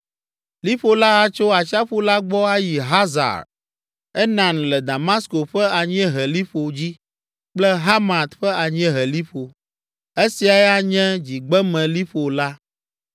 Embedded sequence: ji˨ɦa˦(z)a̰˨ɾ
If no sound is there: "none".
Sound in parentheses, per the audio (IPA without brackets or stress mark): z